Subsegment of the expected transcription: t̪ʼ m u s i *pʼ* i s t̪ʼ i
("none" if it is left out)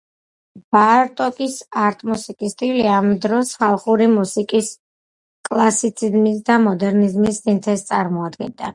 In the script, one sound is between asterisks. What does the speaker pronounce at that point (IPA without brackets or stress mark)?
kʼ